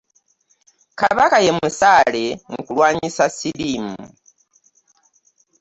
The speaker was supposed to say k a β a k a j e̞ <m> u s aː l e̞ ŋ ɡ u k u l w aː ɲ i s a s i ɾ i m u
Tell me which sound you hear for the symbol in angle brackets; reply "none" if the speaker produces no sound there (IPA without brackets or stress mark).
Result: m